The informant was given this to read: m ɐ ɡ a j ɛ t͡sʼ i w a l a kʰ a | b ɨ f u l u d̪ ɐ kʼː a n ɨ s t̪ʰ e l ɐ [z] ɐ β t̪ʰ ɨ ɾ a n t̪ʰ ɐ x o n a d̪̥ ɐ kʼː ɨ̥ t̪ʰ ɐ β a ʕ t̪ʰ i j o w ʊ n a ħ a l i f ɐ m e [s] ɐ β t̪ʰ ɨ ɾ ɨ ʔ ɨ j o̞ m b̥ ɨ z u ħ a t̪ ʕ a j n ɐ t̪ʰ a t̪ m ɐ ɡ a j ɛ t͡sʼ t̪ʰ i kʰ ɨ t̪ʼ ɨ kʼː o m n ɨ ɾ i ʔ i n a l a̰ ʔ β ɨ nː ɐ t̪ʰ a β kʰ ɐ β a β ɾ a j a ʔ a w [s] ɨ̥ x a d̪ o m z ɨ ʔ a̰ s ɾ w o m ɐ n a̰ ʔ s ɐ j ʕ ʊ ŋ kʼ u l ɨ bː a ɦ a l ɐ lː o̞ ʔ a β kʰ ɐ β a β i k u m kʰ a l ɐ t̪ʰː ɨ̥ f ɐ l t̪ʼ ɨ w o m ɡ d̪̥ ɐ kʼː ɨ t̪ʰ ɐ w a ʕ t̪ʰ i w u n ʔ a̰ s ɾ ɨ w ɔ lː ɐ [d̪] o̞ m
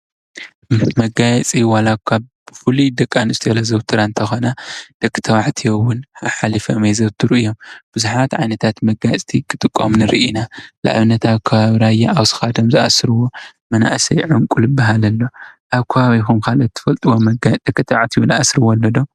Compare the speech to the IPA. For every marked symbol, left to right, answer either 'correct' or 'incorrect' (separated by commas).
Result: correct, incorrect, correct, correct